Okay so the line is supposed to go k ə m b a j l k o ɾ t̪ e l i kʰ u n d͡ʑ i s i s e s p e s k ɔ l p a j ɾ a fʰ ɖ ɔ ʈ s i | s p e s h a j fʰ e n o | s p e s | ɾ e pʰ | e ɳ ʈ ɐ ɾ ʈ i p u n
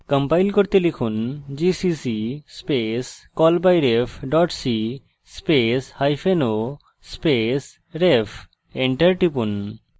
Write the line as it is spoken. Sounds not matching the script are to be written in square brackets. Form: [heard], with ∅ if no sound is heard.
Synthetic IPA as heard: k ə m [p] a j l k o ɾ t̪ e l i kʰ u n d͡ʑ i s i s [i] s p e s k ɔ l [b] a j ɾ [e] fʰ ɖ ɔ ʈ s i | s p e s h a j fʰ e n o | s p e s | ɾ e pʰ | e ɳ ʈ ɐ ɾ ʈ i p u n